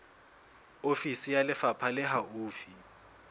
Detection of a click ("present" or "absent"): absent